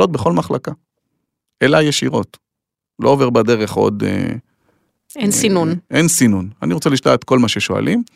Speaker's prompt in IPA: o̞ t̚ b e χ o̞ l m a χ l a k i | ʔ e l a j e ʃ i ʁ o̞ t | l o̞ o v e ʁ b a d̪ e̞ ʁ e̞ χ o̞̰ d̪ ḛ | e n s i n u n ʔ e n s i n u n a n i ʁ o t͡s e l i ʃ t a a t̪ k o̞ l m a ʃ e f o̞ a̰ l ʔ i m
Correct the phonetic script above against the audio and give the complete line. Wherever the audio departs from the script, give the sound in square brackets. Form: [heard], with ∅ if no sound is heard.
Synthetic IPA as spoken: o̞ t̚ b e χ o̞ l m a χ l a k [a] | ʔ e l a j e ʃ i ʁ o̞ t | l o̞ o v e ʁ b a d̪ e̞ ʁ e̞ χ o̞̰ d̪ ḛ | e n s i n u n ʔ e n s i n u n a n i ʁ o t͡s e l i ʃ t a a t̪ k o̞ l m a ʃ e [ʃ] o̞ a̰ l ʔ i m